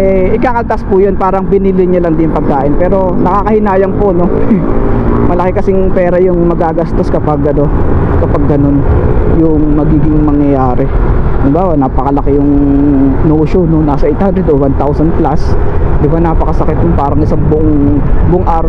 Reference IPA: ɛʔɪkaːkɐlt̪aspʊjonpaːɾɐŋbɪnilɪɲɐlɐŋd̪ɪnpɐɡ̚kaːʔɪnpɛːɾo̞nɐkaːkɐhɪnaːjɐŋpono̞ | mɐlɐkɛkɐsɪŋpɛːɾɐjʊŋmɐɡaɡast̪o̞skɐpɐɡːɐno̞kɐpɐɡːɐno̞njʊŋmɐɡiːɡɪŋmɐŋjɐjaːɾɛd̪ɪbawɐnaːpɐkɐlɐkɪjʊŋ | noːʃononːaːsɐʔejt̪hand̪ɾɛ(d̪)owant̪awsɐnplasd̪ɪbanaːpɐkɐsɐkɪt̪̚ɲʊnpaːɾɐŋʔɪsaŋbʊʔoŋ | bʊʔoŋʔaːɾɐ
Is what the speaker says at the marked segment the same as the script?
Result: yes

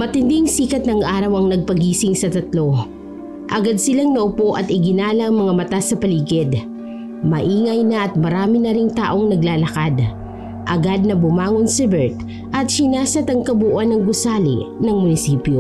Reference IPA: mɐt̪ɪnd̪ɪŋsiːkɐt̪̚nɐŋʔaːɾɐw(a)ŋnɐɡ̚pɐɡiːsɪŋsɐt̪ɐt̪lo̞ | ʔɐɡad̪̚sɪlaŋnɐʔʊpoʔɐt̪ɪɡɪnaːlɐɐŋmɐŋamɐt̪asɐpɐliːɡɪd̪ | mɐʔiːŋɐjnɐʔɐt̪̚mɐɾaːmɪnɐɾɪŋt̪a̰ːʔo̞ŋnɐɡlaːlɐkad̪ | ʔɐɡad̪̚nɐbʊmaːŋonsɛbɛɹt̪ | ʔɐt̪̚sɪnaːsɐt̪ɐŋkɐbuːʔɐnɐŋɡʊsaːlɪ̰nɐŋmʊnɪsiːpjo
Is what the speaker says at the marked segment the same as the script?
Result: no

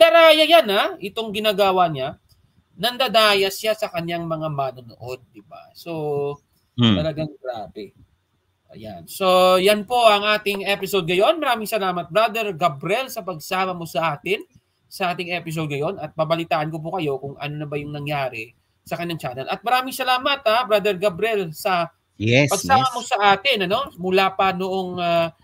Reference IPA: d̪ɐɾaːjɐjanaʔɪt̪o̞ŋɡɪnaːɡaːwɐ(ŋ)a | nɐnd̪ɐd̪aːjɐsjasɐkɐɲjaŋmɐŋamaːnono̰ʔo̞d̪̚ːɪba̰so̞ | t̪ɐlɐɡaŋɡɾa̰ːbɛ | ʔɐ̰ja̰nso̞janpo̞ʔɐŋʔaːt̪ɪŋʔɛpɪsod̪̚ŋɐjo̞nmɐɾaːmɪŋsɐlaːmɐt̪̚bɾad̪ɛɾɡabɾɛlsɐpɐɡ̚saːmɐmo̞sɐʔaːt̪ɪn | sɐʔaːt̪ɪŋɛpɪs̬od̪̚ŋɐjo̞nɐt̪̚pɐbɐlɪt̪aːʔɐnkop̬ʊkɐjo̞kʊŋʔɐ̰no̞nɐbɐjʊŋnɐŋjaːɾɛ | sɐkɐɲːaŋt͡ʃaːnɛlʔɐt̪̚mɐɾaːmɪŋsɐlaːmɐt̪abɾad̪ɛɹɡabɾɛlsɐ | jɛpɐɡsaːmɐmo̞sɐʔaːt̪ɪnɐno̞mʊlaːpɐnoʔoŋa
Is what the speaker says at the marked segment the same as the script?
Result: no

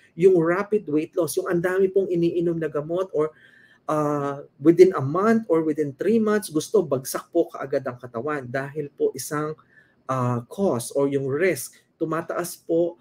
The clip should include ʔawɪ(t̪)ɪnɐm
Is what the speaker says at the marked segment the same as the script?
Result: no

